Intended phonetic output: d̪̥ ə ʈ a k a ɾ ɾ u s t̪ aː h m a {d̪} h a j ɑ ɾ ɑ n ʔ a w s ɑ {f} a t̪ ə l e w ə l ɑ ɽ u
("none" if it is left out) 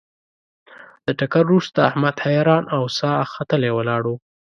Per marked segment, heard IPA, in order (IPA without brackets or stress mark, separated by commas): d̪, x